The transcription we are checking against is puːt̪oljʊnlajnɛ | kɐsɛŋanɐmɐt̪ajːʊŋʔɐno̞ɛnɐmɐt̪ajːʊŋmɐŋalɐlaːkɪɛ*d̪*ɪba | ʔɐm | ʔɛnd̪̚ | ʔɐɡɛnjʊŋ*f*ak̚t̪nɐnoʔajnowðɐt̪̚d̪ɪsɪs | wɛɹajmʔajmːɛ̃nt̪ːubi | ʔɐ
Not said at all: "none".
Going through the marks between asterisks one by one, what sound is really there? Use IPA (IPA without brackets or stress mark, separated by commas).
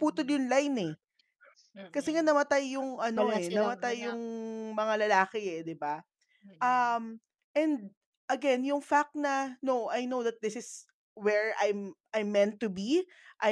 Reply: d̪, f